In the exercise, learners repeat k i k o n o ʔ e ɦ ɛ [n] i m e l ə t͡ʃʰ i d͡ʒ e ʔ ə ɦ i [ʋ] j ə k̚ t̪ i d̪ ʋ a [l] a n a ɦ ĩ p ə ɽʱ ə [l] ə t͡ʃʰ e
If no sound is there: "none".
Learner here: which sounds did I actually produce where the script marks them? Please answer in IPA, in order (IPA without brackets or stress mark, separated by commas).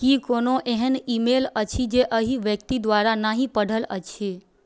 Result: n, ʋ, ɾ, l